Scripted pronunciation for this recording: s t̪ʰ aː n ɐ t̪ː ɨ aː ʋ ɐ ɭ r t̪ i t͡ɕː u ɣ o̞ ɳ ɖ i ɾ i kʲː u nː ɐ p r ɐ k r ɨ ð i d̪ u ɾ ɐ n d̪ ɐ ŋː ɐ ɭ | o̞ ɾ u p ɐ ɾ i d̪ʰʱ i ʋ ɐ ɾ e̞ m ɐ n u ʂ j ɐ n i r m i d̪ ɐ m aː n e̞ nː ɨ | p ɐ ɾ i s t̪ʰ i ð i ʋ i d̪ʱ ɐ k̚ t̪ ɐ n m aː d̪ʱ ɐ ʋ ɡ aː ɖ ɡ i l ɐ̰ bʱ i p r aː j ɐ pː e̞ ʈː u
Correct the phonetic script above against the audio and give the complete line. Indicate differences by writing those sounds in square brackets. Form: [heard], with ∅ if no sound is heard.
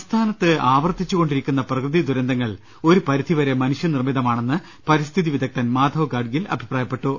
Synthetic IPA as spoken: s t̪ʰ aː n ɐ t̪ː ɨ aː ʋ ɐ [∅] r t̪ i t͡ɕː u ɣ o̞ ɳ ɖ i ɾ i kʲː u nː ɐ p r ɐ k r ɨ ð i d̪ u ɾ ɐ n d̪ ɐ ŋː ɐ ɭ | o̞ ɾ u p ɐ ɾ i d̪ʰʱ i ʋ ɐ ɾ e̞ m ɐ n u ʂ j ɐ n i r m i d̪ ɐ m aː [ɳ] e̞ nː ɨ | p ɐ ɾ i s t̪ʰ i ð i ʋ i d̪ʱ ɐ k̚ t̪ ɐ n m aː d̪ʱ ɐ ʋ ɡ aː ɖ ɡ i l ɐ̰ bʱ i p r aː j ɐ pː e̞ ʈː u